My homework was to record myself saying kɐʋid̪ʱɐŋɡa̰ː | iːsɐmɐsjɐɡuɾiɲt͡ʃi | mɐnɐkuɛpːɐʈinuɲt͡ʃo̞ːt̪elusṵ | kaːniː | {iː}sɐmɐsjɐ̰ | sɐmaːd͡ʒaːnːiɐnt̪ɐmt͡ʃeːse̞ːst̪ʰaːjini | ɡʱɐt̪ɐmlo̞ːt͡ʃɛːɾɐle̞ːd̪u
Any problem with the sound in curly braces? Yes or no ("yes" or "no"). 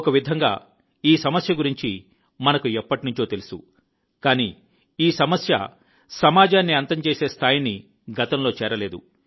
no